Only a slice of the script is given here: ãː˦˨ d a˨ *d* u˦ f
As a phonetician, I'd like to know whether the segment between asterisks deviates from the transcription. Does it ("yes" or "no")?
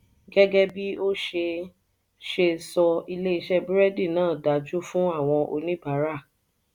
yes